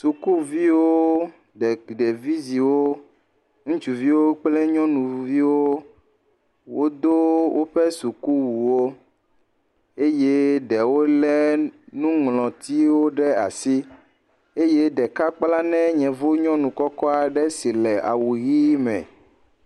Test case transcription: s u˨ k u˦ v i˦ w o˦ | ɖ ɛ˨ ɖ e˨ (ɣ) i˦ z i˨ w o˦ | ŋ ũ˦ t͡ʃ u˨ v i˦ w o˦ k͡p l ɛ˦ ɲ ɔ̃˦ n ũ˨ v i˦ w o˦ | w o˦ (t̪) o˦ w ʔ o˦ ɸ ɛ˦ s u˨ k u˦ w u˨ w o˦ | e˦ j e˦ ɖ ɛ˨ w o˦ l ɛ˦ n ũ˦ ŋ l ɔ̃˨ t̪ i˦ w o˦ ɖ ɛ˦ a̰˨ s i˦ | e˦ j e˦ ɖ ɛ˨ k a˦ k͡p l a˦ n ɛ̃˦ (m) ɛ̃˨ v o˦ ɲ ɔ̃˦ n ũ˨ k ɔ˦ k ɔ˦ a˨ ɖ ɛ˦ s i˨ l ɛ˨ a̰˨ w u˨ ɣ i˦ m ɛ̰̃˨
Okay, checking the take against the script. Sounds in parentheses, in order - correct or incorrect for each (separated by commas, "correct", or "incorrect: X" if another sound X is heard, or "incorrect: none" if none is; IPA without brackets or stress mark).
incorrect: v, incorrect: d̪, incorrect: ɲ